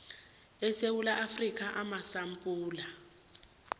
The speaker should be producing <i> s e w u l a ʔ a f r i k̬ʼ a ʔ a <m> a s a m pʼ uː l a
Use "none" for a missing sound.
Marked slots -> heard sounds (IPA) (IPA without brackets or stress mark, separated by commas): ɛ, m